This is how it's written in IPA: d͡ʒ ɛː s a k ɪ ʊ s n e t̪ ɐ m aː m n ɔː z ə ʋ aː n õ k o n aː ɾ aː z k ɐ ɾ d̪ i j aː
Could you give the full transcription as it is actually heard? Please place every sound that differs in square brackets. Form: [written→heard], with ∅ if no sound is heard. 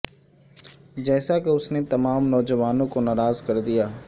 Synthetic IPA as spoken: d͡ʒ ɛː s a k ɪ ʊ s n e t̪ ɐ m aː m n ɔː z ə ʋ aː n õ k o n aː ɾ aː z k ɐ ɾ d̪ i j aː